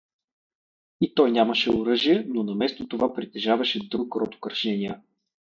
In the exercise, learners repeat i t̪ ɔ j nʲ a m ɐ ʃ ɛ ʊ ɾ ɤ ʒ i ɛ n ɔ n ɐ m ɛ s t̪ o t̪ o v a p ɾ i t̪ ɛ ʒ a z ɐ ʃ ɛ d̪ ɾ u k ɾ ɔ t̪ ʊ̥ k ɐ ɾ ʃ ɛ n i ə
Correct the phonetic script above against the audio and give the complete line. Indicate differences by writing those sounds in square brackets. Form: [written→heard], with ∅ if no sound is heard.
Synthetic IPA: i t̪ ɔ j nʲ a m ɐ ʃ ɛ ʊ ɾ ɤ ʒ i ɛ n [ɔ→o] n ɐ m ɛ s t̪ o t̪ o v a p ɾ i t̪ ɛ ʒ a [z→v] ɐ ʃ ɛ d̪ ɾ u k ɾ ɔ t̪ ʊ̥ k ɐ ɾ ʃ ɛ n i ə